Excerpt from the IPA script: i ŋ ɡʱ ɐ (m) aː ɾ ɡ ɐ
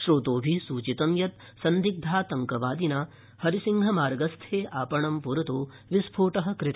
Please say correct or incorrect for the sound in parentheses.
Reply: correct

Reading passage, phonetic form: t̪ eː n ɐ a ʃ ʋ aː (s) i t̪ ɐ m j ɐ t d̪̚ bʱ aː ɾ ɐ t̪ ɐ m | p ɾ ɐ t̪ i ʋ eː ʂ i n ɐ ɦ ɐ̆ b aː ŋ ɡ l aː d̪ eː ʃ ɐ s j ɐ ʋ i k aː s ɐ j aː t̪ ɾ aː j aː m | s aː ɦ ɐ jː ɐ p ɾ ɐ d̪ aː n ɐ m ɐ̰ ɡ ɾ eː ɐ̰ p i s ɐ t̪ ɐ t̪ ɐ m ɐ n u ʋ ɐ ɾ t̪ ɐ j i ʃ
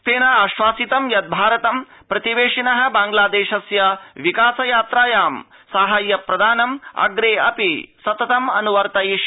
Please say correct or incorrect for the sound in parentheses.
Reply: correct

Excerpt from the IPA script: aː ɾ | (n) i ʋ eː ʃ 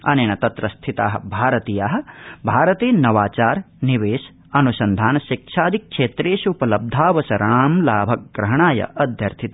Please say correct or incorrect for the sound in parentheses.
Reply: correct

